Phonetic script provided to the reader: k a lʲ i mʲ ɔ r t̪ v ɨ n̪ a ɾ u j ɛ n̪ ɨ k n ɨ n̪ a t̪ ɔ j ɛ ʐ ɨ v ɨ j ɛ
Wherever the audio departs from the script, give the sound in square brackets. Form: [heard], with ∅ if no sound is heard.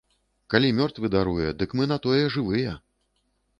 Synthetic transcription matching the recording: k a lʲ i mʲ ɔ r t̪ v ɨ [d̪] a ɾ u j ɛ [d̪] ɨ k [m] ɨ n̪ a t̪ ɔ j ɛ ʐ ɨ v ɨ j ɛ